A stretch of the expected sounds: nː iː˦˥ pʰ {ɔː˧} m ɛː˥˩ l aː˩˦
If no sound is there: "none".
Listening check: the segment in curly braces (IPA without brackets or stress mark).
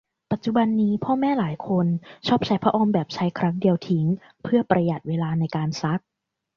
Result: ɔː˥˩